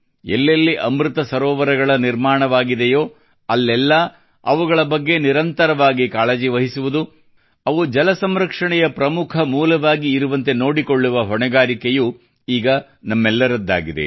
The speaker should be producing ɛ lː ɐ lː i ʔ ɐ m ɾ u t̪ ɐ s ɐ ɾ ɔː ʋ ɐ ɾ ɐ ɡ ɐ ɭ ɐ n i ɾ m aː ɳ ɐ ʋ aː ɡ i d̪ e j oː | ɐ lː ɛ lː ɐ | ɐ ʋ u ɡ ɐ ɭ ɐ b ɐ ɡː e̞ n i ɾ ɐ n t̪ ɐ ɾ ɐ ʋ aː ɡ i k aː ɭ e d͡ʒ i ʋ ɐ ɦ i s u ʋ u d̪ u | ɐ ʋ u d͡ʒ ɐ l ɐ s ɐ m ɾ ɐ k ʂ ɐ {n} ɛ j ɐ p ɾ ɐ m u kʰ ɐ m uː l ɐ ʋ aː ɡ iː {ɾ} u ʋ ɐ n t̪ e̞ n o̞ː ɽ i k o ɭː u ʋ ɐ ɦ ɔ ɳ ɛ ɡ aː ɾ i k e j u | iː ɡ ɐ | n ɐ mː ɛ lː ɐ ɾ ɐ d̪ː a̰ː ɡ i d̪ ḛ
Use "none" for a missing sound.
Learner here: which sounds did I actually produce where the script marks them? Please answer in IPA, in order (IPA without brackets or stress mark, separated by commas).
ɳ, ɾ